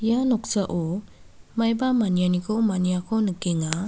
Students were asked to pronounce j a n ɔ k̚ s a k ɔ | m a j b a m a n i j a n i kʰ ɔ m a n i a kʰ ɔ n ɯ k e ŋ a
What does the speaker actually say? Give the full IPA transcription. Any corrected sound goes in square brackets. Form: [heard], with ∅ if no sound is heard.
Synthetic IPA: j a n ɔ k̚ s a [ʔ] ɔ | m a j b a m a n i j a n i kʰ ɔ m a n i a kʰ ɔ n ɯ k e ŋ a